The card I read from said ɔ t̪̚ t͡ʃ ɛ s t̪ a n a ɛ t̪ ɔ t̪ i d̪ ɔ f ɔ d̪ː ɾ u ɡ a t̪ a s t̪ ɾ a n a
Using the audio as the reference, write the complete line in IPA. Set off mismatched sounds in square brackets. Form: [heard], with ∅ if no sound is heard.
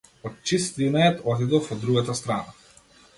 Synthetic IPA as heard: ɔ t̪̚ t͡ʃ [i] s t̪ [i] n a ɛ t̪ ɔ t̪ i d̪ ɔ f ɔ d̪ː ɾ u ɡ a t̪ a s t̪ ɾ a n a